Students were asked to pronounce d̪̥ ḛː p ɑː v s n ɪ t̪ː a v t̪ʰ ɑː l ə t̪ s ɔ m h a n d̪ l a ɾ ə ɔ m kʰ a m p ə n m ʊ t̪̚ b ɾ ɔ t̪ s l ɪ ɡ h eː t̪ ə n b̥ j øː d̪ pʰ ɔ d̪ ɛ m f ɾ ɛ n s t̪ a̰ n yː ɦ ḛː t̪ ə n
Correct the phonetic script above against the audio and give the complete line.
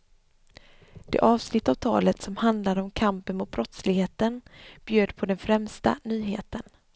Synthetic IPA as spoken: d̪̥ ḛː ʔ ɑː v s n ɪ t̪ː a v t̪ʰ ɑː l ə t̪ s ɔ m h a n d̪ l a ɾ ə ɔ m kʰ a m p ə n m ʊ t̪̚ b ɾ ɔ t̪ s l ɪ ɡ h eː t̪ ə n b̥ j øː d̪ pʰ ɔ d̪ ɛ n f ɾ ɛ m s t̪ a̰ n yː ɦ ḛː t̪ ə n